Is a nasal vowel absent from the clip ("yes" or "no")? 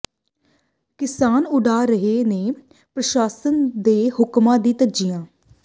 no